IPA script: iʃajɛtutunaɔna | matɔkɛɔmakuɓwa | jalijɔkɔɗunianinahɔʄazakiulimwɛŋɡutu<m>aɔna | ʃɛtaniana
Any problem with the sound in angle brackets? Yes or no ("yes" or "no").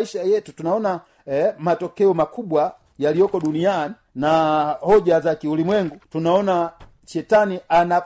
yes